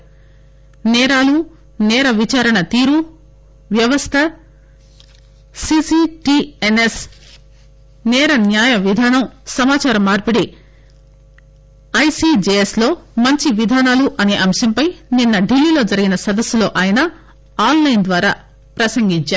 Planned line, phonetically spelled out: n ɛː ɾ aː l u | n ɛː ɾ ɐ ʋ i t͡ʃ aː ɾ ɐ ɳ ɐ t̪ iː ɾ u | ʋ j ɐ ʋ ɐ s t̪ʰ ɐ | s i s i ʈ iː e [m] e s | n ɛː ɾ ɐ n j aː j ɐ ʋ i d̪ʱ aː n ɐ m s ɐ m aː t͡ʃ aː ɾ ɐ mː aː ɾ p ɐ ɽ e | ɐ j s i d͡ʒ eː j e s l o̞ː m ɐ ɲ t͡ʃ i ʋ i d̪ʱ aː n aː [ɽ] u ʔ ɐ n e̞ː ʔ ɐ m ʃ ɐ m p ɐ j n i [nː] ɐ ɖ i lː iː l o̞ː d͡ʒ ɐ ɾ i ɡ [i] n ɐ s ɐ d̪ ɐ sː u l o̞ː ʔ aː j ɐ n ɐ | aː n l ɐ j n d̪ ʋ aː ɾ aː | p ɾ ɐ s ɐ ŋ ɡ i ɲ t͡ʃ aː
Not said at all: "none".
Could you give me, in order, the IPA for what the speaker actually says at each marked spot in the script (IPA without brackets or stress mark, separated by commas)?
n, l, nː, i